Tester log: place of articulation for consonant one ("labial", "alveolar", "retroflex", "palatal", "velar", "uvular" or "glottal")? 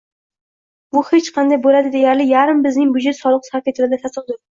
labial